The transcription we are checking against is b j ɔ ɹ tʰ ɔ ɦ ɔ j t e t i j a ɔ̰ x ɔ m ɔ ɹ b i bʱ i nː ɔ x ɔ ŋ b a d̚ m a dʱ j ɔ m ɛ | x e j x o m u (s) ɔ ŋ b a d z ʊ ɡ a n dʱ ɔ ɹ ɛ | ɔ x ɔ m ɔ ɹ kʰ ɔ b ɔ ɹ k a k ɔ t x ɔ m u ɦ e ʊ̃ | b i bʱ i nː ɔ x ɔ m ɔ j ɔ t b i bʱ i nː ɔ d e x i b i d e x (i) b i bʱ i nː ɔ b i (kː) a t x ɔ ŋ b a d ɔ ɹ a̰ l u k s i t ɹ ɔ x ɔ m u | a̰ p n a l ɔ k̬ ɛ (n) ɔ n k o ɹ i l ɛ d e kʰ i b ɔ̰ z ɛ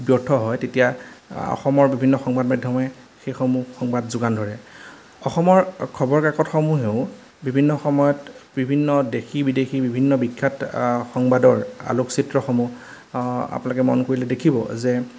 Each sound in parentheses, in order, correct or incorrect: incorrect, correct, incorrect, incorrect

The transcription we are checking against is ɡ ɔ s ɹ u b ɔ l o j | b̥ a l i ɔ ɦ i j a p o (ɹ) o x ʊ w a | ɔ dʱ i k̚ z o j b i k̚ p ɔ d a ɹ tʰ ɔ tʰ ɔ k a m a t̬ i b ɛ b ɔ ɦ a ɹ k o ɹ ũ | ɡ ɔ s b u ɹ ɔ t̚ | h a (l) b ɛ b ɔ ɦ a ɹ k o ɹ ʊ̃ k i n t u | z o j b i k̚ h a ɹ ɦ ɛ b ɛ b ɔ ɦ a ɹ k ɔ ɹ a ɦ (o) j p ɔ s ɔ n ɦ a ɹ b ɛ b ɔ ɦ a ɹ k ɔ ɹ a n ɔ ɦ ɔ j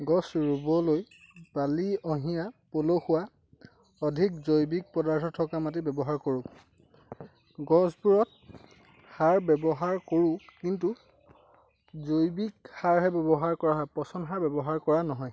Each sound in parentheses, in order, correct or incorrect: incorrect, incorrect, incorrect

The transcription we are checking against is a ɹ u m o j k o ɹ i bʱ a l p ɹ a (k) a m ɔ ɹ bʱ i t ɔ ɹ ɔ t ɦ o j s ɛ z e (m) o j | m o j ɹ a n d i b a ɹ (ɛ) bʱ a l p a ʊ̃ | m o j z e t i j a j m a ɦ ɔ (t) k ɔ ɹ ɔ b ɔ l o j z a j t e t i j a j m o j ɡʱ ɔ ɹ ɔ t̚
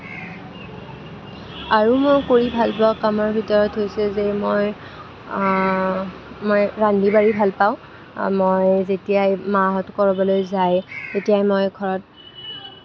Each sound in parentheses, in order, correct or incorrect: correct, correct, incorrect, correct

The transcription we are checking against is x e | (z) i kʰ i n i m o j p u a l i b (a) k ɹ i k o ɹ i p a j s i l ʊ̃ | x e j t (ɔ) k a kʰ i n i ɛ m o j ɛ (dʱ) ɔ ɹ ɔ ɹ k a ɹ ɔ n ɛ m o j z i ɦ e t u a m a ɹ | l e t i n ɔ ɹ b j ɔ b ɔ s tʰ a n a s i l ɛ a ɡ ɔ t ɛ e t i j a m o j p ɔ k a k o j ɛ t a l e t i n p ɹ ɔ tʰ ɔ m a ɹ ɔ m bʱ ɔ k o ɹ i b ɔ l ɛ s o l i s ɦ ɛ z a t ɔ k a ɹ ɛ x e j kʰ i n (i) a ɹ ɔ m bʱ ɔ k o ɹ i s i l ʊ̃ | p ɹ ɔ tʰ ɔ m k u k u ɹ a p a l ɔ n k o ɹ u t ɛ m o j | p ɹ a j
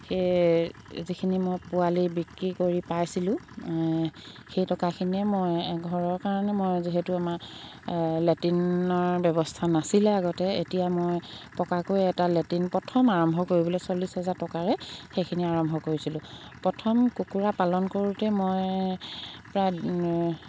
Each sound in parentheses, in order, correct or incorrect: correct, incorrect, correct, incorrect, correct

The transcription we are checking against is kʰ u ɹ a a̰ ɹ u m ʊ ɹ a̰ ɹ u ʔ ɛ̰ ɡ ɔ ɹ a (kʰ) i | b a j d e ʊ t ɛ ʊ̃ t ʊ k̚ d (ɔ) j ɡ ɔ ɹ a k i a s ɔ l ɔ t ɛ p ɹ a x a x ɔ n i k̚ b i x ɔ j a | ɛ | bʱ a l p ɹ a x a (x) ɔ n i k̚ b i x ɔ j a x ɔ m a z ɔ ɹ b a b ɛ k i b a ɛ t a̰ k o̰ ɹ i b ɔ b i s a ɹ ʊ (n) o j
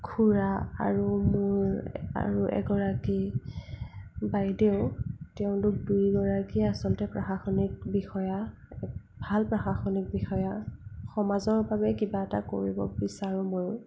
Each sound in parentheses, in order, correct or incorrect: incorrect, incorrect, correct, incorrect

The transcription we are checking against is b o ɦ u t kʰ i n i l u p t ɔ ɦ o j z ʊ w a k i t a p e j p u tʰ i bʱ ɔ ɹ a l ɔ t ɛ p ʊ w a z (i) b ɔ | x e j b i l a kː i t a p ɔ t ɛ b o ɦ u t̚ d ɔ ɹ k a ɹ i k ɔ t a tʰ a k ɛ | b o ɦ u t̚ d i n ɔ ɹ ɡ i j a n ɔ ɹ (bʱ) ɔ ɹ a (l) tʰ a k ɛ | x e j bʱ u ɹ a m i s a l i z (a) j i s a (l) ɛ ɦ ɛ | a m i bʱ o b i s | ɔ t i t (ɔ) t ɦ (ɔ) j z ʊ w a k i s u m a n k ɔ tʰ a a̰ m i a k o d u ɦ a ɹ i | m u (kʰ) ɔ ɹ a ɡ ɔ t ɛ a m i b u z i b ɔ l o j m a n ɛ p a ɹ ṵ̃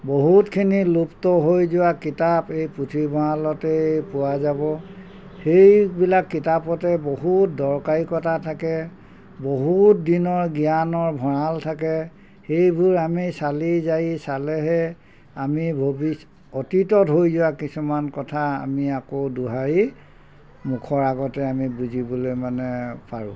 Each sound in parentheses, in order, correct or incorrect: incorrect, correct, correct, correct, correct, correct, incorrect, correct

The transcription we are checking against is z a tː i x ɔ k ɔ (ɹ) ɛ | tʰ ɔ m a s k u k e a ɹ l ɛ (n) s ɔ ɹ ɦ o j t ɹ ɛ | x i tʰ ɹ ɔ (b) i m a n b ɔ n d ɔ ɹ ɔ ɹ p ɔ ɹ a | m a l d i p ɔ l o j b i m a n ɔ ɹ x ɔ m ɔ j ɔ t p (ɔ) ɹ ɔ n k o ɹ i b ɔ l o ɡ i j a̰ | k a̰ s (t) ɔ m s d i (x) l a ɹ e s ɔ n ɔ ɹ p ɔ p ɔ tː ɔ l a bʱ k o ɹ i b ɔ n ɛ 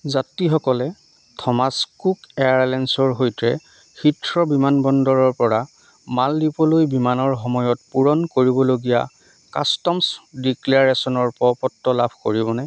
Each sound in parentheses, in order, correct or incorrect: incorrect, correct, correct, incorrect, correct, incorrect

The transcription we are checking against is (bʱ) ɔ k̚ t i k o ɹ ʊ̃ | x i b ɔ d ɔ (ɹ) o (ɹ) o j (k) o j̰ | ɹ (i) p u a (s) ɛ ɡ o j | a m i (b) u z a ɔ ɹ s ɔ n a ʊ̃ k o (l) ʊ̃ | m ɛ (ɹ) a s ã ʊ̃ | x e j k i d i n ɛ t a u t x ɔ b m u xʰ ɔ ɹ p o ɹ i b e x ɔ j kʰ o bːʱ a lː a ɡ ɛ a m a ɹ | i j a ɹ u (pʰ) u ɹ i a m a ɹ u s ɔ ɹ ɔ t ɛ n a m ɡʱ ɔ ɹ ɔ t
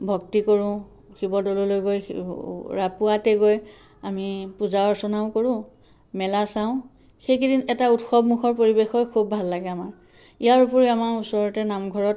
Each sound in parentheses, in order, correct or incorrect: correct, incorrect, incorrect, incorrect, incorrect, incorrect, incorrect, incorrect, incorrect, incorrect

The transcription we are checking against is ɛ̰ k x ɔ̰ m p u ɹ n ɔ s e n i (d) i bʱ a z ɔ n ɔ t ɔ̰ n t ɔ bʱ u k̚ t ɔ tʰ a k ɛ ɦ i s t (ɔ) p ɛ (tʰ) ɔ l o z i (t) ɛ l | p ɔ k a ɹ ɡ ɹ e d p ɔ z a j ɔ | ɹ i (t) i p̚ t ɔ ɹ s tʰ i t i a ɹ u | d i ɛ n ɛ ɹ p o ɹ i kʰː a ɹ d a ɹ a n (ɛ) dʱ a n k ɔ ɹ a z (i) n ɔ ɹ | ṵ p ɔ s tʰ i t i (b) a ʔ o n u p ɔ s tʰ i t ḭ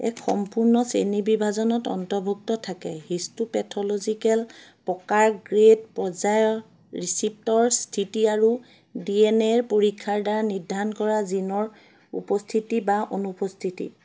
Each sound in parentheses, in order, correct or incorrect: incorrect, incorrect, correct, incorrect, incorrect, incorrect, correct, correct

